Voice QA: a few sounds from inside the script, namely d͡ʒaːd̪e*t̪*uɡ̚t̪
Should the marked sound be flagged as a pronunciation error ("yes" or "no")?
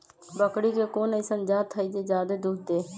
yes